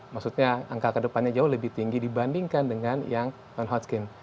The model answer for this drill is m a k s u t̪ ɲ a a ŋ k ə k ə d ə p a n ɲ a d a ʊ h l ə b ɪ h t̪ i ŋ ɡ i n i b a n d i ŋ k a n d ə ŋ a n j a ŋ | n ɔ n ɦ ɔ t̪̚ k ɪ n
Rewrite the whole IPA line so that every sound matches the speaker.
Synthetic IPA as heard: m a k s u t̪ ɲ a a ŋ k a k ə d ə p a n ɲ a d͡ʒ a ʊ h l ə b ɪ h t̪ i ŋ ɡ i d i b a n d i ŋ k a n d ə ŋ a n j a ŋ | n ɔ n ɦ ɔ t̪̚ k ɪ n